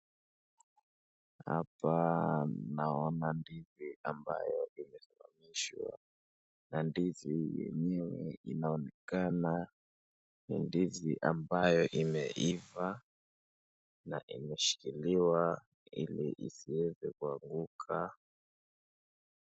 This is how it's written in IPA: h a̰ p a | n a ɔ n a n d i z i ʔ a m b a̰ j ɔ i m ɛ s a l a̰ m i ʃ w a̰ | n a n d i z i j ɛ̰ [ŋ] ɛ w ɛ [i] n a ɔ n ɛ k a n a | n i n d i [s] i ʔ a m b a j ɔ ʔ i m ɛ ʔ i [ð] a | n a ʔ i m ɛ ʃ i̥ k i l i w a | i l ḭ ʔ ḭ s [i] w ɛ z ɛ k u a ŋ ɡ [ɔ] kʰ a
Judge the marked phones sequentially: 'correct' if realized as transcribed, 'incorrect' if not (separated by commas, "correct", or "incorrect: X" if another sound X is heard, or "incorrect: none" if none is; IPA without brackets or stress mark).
incorrect: ɲ, correct, incorrect: z, incorrect: v, correct, incorrect: u